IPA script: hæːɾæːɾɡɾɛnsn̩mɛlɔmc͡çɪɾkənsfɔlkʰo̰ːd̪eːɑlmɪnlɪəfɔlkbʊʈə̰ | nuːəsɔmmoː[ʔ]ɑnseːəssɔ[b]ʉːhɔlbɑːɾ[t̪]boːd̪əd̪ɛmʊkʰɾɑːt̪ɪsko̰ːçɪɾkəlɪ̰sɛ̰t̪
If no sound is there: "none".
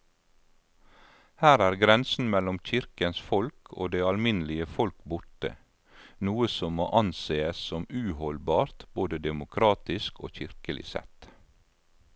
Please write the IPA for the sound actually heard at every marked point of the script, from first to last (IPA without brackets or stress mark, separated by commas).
ʔ, m, t̪